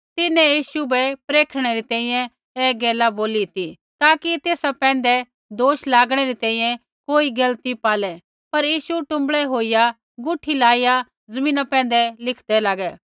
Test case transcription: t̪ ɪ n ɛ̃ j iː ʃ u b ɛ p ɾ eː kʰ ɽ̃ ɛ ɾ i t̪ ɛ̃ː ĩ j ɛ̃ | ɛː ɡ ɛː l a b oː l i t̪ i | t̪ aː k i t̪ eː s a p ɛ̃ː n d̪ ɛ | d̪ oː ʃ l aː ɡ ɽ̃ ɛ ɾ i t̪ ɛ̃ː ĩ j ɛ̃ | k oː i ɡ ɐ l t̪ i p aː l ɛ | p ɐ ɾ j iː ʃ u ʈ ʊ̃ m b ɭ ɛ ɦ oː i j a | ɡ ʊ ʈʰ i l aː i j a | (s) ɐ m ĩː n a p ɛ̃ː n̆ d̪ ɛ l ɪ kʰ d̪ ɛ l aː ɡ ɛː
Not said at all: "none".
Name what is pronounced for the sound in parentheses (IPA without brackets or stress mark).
z